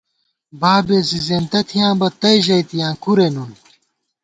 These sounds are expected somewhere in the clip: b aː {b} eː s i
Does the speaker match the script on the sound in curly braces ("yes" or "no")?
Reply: yes